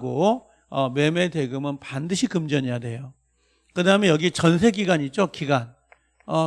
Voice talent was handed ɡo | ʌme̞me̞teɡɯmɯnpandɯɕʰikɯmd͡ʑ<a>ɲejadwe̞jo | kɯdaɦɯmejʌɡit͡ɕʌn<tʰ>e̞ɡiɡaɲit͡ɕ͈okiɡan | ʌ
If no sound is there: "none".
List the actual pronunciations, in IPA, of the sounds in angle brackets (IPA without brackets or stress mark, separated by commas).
ʌ, sʰ